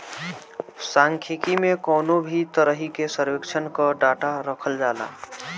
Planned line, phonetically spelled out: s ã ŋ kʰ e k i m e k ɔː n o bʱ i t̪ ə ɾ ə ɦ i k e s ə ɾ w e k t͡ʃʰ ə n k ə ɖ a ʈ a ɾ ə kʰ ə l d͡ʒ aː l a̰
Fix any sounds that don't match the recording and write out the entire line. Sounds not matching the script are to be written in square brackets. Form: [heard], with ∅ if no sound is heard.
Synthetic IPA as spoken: s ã ŋ kʰ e k i m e k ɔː n o bʱ i t̪ ə ɾ ə ɦ i k e s ə ɾ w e k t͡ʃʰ ə n k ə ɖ a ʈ a ɾ ə kʰ ə l d͡ʒ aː l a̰